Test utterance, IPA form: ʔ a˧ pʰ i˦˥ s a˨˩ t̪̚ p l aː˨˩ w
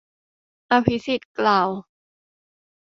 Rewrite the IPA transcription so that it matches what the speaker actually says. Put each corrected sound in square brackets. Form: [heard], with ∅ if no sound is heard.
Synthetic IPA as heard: ʔ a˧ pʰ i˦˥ s [i˨˩] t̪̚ [k] l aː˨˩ w